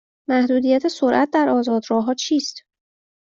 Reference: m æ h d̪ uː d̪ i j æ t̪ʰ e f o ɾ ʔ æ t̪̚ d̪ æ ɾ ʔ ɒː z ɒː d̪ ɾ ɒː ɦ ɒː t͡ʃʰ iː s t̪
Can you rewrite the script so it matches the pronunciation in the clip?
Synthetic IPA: m æ h d̪ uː d̪ i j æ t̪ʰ e s o ɾ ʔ æ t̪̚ d̪ æ ɾ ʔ ɒː z ɒː d̪ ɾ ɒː ɦ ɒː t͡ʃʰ iː s t̪